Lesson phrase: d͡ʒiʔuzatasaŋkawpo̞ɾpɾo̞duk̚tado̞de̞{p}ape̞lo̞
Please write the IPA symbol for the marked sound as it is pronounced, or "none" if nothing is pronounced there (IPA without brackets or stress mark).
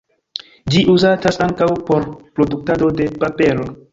p